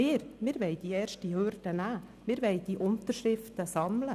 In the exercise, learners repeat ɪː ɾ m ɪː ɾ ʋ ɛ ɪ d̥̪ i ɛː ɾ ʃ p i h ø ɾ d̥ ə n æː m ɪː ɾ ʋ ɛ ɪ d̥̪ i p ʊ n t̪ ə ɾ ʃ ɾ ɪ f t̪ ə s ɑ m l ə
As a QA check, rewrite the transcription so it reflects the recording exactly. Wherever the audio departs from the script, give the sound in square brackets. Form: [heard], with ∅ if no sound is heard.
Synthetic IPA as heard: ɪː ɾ m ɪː ɾ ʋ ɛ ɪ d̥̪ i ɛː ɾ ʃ [t] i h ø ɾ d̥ ə n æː m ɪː ɾ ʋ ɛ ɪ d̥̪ i [ʔ] ʊ n t̪ ə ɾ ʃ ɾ ɪ f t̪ ə s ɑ m l ə

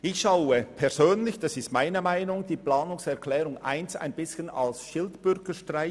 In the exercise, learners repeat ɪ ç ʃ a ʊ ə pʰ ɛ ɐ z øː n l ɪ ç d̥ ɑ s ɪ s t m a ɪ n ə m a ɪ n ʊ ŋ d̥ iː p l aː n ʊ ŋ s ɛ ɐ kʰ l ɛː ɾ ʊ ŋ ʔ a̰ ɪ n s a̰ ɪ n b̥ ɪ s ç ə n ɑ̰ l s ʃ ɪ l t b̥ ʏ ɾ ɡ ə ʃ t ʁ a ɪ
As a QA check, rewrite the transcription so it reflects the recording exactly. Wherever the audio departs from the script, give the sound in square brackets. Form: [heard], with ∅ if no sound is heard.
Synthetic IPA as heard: ɪ ç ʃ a ʊ ə pʰ ɛ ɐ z øː n l ɪ ç d̥ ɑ s ɪ s t m a ɪ n ə m a ɪ n ʊ ŋ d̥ iː p l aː n ʊ ŋ s ɛ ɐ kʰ l ɛː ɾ ʊ ŋ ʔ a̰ ɪ n s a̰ ɪ n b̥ ɪ s ç ə n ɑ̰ l s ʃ ɪ l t b̥ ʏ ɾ ɡ ə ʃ t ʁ a ɪ

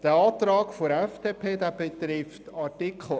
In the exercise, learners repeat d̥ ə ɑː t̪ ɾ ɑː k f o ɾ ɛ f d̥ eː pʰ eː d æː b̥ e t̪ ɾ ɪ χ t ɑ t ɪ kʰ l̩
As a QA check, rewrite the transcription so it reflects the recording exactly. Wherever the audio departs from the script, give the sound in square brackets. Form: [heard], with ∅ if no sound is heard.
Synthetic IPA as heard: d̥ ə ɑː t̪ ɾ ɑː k f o ɾ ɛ f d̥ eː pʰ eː d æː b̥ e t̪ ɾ ɪ [f] t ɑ t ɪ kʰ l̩

